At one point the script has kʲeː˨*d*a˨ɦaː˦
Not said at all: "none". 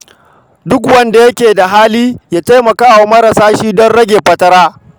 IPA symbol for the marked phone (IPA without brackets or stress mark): d